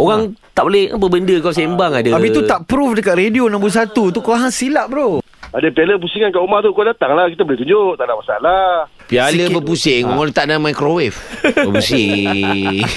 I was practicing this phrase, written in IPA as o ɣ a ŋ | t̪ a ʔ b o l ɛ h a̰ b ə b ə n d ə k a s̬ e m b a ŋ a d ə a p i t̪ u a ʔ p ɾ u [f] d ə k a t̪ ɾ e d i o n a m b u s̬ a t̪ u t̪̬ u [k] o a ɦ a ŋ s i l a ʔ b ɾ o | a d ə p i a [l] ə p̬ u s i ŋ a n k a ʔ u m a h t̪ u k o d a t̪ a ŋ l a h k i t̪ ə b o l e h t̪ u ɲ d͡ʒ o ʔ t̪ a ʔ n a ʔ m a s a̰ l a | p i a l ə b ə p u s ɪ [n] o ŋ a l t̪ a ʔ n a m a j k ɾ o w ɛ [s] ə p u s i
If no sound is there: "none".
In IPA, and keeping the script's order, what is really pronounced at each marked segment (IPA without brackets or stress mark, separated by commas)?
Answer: f, k, l, ŋ, f